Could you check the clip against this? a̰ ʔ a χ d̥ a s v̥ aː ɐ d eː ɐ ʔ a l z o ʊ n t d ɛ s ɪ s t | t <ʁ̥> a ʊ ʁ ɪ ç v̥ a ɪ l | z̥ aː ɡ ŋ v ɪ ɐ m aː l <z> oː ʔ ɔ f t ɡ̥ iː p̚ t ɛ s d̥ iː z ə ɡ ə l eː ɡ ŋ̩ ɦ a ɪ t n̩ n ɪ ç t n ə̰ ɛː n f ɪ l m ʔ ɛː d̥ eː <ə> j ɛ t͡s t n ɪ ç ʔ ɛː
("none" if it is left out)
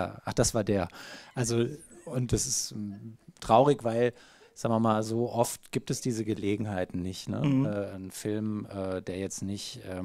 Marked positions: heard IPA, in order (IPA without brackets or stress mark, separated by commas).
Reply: ʁ̥, z, ɐ